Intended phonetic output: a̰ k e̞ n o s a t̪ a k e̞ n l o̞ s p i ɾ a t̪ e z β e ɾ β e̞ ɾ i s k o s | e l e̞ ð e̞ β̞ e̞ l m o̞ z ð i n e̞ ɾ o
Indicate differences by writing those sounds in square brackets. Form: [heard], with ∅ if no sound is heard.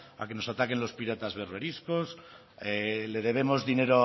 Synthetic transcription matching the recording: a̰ k e̞ n o s a t̪ a k e̞ n l o̞ s p i ɾ a t̪ [a] z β e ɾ β e̞ ɾ i s k o s | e l e̞ ð e̞ β̞ e̞ [∅] m o̞ z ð i n e̞ ɾ o